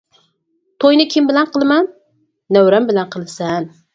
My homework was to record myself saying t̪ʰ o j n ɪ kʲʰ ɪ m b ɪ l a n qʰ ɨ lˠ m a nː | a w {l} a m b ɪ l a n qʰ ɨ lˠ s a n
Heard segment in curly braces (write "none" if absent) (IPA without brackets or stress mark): ɾ